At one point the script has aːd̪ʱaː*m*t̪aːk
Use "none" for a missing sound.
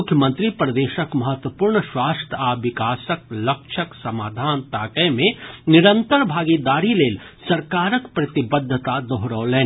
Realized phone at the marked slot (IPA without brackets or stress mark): n